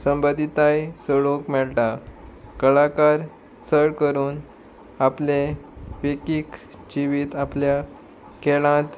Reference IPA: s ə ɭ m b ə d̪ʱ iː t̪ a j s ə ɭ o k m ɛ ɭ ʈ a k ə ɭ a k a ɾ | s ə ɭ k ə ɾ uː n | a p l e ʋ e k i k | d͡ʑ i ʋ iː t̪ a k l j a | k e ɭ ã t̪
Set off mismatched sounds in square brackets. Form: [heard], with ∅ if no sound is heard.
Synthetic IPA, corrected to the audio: s ə [∅] m b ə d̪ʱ [i] t̪ a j s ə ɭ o k m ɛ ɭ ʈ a k ə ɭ a k a ɾ | s ə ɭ k ə ɾ uː n | a p l e ʋ e k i k | d͡ʑ i ʋ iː t̪ a [p] l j a | k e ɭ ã t̪